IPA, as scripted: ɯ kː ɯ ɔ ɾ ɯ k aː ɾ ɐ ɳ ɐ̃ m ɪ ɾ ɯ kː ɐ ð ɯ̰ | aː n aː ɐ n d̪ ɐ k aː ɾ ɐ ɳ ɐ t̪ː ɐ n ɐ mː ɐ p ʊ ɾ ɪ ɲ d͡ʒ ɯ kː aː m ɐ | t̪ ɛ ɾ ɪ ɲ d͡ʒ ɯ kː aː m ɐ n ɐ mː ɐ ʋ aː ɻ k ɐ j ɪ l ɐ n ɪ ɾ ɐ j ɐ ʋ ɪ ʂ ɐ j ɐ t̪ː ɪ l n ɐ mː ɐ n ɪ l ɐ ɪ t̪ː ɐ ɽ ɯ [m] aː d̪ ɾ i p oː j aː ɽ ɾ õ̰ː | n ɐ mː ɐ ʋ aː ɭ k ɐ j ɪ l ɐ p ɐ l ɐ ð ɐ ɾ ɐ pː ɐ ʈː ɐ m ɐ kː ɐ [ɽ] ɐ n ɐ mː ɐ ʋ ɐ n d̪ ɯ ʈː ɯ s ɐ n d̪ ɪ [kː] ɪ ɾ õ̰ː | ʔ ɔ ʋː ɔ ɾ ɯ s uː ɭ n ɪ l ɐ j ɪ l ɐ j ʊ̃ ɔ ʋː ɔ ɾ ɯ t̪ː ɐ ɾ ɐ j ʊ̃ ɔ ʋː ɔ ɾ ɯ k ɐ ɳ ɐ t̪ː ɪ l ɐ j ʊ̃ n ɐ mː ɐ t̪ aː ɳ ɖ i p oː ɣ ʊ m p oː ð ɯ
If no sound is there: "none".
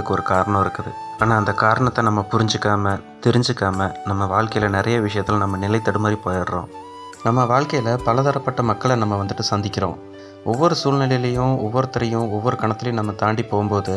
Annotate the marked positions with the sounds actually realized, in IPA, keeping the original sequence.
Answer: m, ɭ, kː

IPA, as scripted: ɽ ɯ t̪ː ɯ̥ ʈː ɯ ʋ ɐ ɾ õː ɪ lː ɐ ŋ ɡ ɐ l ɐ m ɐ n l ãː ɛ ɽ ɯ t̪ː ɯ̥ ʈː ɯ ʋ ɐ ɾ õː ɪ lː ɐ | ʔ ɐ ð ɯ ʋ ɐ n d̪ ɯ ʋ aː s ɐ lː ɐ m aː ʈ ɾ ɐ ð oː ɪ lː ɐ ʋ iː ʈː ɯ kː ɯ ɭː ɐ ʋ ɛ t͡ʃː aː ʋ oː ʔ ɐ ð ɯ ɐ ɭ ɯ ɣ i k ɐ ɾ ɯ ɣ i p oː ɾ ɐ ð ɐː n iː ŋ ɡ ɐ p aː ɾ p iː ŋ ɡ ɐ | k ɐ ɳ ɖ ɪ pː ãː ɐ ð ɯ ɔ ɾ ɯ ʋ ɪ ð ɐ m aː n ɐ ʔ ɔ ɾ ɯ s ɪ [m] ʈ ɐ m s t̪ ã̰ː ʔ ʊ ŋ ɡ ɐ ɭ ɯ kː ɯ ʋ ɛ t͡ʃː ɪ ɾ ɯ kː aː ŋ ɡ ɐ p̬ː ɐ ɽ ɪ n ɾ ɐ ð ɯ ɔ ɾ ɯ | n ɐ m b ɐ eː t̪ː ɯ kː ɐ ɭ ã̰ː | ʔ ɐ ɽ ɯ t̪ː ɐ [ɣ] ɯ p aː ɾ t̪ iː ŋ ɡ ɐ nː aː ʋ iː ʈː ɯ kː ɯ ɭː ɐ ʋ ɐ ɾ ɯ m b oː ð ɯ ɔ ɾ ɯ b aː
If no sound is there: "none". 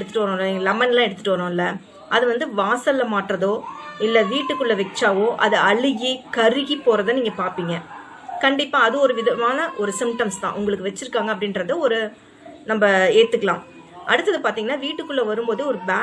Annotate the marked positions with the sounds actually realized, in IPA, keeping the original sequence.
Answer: m, ð

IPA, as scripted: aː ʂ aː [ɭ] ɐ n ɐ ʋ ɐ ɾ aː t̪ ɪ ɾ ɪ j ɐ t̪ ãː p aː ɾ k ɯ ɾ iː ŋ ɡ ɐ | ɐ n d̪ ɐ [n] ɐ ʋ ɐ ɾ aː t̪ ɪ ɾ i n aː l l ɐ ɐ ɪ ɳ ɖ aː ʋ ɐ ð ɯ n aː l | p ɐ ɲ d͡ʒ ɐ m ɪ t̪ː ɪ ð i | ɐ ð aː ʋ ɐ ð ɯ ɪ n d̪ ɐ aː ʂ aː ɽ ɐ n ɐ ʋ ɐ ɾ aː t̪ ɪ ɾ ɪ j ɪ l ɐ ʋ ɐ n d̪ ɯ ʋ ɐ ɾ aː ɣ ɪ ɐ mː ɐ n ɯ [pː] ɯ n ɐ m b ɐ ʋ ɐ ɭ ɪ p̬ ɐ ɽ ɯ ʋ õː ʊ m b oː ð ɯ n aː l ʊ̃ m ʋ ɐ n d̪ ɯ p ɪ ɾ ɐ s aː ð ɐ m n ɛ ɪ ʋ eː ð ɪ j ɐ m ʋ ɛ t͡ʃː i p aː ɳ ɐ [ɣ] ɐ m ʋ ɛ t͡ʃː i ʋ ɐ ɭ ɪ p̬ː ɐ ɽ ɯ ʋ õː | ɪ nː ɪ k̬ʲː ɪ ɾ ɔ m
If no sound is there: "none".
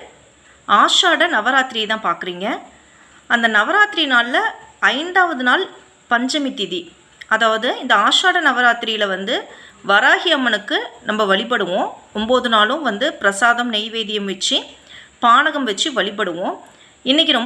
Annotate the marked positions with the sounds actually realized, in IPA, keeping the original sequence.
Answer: ɽ, n, kː, ɣ

